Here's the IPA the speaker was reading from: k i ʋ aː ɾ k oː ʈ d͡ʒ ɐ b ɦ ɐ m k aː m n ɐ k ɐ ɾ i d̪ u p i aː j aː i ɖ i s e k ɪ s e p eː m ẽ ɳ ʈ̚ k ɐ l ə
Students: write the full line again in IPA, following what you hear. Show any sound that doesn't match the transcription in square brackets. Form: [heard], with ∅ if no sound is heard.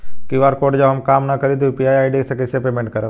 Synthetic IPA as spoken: k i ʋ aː ɾ k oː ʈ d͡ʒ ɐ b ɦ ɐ m k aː m n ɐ k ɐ ɾ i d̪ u p i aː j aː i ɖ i s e k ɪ s e p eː m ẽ ɳ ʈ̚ k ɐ [ɾ] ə